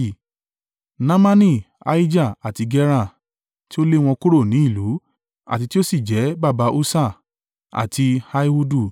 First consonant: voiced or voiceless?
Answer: voiced